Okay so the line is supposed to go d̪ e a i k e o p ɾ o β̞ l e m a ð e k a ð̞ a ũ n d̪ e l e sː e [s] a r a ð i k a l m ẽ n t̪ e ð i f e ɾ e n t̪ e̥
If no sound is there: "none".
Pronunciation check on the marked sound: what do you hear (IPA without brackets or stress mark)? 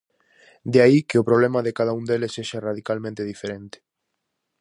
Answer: ʃ